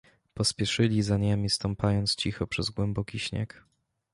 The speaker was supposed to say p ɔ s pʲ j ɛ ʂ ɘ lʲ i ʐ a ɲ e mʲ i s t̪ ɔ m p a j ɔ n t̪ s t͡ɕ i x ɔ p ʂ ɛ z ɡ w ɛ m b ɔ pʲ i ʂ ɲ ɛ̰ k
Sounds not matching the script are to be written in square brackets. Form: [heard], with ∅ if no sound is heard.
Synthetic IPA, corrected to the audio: p ɔ s pʲ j ɛ ʂ ɘ lʲ i [z] a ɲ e mʲ i s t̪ ɔ m p a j ɔ n t̪ s t͡ɕ i x ɔ p ʂ ɛ z ɡ w ɛ m b ɔ [kʲ] i [ɕ] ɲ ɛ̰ k